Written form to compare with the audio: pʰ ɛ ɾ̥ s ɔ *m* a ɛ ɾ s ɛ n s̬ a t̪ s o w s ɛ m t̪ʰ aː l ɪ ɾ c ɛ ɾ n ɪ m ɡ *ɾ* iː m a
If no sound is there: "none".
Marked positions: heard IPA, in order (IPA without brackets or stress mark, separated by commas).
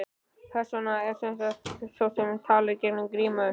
n, ɾ